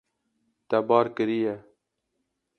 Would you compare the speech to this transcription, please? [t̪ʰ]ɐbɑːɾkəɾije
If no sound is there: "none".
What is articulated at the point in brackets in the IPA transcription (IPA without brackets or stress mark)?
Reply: t̪